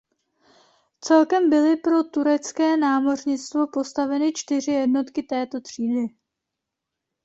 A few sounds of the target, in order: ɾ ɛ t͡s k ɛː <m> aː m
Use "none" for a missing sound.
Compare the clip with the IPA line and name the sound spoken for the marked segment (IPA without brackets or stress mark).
n